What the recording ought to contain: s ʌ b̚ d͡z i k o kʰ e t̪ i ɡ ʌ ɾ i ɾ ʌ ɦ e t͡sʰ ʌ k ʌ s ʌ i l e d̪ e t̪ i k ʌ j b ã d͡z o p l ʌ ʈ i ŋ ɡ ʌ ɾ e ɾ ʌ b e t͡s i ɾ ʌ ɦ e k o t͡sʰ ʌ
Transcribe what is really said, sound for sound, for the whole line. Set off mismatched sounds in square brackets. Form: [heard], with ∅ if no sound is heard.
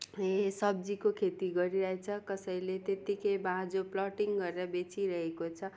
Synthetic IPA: s ʌ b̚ d͡z i k o kʰ e t̪ i ɡ ʌ ɾ i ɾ ʌ ɦ e t͡sʰ ʌ k ʌ s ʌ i l e [t̪] e t̪ i k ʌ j b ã d͡z o p l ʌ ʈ i ŋ ɡ ʌ ɾ e ɾ ʌ b e t͡s i ɾ ʌ ɦ e k o t͡sʰ ʌ